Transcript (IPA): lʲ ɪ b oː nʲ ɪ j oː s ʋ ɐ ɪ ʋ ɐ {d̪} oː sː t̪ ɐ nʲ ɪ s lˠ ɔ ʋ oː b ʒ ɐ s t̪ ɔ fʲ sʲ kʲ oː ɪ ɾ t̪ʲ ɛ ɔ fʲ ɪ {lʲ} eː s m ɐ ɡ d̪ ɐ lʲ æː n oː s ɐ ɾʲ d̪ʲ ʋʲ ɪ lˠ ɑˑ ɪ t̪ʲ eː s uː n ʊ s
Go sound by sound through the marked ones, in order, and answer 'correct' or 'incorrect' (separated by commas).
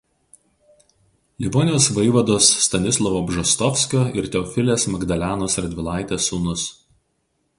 correct, correct